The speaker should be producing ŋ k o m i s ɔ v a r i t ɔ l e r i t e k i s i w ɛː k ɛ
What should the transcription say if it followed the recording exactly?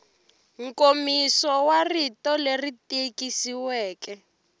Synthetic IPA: ŋ k o m i s ɔ w a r i t ɔ l e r i t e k i s i w ɛː k ɛ